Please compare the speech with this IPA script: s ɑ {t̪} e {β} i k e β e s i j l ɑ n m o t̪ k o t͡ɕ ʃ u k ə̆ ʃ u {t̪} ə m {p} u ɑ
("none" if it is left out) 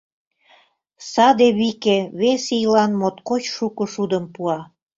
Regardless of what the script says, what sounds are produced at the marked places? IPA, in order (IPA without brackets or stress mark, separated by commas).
d̪, β, d̪, p